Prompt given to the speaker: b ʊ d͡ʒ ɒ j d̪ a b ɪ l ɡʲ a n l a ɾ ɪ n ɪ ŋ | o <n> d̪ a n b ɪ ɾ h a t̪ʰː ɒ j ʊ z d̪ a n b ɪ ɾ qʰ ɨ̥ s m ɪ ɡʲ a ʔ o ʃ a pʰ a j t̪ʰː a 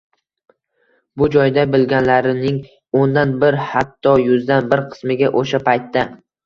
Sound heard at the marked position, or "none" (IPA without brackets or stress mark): n